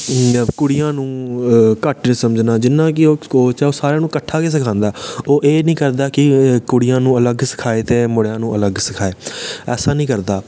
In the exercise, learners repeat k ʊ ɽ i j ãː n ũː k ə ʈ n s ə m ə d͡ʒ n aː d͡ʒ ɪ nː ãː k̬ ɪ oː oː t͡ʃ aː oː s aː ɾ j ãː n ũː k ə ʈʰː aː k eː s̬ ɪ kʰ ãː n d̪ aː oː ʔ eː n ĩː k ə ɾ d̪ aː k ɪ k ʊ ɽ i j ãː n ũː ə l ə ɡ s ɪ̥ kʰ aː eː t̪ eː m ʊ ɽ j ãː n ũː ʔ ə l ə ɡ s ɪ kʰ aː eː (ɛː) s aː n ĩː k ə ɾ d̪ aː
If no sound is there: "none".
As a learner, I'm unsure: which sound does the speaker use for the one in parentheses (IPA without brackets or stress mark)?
ɛː